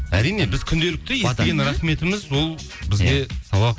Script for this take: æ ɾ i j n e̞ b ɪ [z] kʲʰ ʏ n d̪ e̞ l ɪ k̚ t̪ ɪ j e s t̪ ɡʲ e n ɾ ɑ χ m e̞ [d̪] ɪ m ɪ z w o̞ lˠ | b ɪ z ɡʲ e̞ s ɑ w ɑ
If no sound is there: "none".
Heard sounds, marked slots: z, t̪

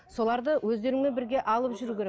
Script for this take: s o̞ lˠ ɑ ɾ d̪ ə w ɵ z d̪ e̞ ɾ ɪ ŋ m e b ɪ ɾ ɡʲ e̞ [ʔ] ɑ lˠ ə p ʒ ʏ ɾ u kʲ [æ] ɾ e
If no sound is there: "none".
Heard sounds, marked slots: ʔ, e

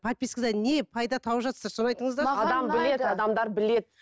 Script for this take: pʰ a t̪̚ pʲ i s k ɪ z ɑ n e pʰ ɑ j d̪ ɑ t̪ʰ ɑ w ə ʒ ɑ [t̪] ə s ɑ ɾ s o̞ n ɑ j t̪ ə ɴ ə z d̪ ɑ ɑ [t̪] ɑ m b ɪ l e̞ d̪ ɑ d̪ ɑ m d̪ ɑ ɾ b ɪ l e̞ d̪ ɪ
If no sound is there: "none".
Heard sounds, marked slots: t̪, d̪

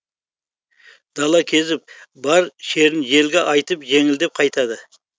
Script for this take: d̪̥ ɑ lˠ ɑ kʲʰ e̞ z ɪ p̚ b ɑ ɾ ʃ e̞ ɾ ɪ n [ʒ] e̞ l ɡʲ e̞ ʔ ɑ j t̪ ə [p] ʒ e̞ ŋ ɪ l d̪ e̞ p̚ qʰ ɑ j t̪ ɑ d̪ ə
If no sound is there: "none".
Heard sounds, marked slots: ʒ, p

